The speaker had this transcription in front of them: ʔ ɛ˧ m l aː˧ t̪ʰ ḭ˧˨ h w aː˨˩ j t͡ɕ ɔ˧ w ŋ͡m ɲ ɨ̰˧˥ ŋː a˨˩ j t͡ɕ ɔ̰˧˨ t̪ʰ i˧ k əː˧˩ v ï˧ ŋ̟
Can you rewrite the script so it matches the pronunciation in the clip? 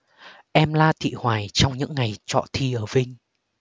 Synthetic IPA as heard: ʔ ɛ˧ m l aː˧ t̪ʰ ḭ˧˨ h w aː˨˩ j t͡ɕ ɔ˧ w ŋ͡m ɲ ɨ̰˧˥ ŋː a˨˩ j t͡ɕ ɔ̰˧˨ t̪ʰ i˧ ʔ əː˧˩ v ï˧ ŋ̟